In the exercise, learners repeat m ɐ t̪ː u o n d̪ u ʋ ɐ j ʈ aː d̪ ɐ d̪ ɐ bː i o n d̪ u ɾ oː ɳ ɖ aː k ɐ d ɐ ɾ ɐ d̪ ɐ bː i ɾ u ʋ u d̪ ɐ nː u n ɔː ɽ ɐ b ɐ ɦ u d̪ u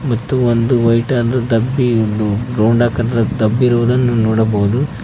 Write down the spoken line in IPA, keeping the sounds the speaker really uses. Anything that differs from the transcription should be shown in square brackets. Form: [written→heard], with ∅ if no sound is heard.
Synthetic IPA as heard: m ɐ t̪ː u o n d̪ u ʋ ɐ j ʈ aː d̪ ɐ d̪ ɐ bː i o n d̪ u ɾ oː ɳ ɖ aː k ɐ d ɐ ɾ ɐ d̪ ɐ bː i ɾ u ʋ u d̪ ɐ nː u n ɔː ɽ ɐ b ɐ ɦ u d̪ u